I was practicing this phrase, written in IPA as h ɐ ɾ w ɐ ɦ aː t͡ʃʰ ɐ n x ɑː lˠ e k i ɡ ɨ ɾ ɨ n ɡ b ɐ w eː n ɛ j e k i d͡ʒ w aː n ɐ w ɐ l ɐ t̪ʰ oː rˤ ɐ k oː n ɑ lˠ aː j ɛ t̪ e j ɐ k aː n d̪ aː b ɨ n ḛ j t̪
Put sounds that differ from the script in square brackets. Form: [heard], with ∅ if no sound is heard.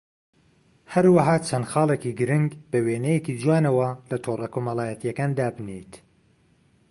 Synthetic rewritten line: h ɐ ɾ w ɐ ɦ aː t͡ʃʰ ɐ n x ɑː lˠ e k i ɡ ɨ ɾ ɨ [ŋ] ɡ b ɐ w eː n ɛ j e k i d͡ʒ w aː n ɐ w ɐ l ɐ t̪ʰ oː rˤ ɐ k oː [m] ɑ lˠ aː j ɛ t̪ [i] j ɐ k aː n d̪ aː b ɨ n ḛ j t̪